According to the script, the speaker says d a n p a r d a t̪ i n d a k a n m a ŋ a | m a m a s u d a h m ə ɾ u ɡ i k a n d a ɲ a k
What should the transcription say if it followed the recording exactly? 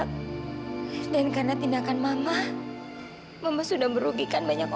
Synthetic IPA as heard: d a n k a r n a t̪ i n d a k a n m a m a | m a m a s u d a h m ə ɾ u ɡ i k a n b a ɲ a k